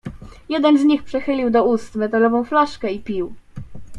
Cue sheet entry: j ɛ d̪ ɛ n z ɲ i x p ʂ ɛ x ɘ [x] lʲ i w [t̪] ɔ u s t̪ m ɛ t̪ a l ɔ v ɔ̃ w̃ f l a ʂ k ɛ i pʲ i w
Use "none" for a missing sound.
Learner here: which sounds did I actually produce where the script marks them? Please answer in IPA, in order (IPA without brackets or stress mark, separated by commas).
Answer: none, d̪